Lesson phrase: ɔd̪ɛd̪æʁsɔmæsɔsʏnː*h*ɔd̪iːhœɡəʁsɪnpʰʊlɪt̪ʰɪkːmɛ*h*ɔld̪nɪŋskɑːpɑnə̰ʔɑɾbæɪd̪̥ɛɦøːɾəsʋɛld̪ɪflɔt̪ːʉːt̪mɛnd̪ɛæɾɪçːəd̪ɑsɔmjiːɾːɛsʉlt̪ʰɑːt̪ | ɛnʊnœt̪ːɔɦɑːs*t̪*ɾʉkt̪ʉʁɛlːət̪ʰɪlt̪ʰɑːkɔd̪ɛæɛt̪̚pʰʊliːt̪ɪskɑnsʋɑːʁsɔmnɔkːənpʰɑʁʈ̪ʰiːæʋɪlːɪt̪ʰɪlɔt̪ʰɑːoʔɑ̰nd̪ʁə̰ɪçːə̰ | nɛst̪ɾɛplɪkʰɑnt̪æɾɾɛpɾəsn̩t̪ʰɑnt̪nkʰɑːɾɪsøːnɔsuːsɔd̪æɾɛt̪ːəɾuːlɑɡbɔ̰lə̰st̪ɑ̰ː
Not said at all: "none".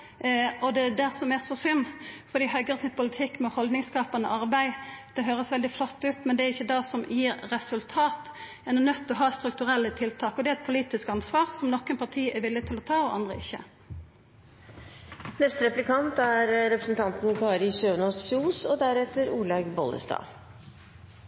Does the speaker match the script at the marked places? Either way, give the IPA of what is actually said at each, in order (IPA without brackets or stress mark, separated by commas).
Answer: f, h, t̪